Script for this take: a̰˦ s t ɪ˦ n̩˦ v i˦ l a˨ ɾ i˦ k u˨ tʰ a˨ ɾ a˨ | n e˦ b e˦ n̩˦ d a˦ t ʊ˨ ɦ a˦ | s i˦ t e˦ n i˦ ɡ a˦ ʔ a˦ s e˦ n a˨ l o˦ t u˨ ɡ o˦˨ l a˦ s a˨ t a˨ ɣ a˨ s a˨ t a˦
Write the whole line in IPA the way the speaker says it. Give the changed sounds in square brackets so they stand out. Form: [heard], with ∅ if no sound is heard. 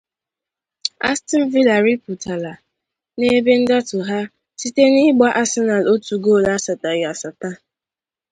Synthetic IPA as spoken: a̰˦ s t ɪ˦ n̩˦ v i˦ l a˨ ɾ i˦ [p] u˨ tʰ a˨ [l] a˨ | n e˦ b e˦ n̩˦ d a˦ t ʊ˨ ɦ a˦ | s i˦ t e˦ n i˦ [ɡ͡b] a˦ ʔ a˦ s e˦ n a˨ l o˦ t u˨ ɡ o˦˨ l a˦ s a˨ t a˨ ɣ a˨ s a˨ t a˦